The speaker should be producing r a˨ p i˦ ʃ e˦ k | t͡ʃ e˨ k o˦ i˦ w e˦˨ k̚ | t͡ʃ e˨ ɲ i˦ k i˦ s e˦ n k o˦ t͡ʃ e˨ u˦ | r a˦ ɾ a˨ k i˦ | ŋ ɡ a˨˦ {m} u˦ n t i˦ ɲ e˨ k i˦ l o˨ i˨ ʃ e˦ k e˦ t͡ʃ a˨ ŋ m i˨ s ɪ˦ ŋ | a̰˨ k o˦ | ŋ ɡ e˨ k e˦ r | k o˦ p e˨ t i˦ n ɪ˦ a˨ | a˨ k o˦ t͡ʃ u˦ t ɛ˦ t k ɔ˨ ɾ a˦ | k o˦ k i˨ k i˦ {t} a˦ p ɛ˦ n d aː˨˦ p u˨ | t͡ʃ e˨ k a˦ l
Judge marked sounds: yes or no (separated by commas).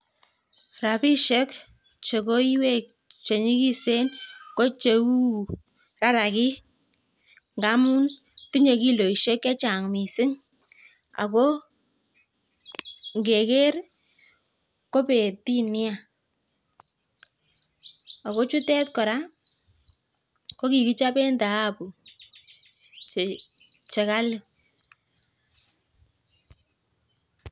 yes, no